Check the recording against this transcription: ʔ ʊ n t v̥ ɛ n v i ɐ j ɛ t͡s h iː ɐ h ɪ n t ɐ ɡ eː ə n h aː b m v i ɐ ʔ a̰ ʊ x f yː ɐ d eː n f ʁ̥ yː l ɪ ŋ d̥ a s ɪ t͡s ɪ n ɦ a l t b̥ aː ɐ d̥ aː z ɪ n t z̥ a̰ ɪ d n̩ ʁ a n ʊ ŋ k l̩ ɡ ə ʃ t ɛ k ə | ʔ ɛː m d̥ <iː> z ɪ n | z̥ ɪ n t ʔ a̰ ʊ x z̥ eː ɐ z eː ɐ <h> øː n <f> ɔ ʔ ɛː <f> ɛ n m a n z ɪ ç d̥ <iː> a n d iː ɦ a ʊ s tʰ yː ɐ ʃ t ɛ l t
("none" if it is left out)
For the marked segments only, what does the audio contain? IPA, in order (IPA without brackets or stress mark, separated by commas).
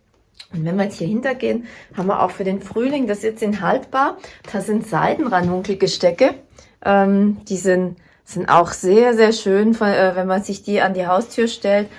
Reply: iː, ʃ, f, v, iː